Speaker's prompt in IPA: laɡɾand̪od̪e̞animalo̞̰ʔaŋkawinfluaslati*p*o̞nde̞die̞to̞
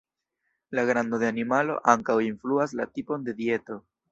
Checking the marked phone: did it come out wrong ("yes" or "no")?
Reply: no